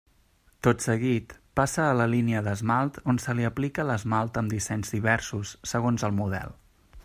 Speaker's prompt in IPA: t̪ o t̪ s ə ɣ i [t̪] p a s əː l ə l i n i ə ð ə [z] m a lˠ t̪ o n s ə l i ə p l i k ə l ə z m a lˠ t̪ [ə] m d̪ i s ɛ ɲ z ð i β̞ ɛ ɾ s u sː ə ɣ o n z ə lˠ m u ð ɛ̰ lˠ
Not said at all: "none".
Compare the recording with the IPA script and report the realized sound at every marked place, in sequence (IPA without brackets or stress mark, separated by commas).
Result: t̪, z, ə